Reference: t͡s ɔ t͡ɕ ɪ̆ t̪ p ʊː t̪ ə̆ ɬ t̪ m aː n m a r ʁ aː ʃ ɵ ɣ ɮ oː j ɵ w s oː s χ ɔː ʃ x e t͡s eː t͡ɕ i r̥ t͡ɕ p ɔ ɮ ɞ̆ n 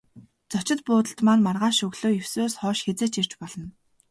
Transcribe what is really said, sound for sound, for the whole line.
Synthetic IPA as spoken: t͡s ɔ t͡ɕ ɪ̆ t̪ p ʊː t̪ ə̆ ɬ t̪ m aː n m a r ʁ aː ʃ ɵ ɣ ɮ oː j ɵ w s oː s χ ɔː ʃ x e t͡s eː t͡ɕ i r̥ t͡ɕ p ɔ ɮ ɞ̆ n